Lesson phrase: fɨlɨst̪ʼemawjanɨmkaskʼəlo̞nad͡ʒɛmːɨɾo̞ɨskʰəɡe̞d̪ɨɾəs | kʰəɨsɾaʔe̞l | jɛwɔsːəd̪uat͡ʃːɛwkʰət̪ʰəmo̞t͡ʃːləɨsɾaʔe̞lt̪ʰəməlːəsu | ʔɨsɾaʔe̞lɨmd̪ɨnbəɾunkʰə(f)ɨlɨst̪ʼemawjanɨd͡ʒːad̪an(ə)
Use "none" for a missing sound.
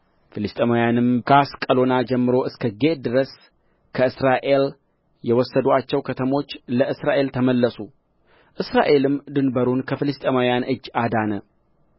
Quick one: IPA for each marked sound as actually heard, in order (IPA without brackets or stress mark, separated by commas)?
f, ə